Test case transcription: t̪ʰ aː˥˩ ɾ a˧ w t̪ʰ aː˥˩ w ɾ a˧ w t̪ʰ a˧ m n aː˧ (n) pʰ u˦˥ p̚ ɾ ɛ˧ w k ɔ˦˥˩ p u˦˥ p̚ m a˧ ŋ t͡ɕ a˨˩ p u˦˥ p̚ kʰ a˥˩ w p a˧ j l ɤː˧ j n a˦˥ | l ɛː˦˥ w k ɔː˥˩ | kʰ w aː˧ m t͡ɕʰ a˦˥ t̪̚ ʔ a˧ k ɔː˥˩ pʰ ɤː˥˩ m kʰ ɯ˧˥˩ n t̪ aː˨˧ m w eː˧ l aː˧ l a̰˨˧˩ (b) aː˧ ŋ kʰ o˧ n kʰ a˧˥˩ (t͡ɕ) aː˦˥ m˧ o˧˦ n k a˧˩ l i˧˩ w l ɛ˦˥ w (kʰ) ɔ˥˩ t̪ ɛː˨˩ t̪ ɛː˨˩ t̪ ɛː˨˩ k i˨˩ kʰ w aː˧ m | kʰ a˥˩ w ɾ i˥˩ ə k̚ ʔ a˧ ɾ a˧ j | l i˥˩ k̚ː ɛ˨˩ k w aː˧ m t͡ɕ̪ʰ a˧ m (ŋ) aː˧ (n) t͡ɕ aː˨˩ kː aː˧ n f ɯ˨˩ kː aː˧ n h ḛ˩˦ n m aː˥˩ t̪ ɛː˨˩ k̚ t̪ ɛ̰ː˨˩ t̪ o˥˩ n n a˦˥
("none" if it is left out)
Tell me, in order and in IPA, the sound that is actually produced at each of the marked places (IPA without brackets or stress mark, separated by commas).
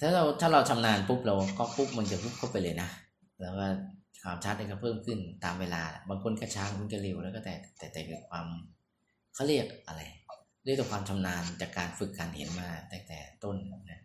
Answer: n, b, t͡ɕʰ, k, n, n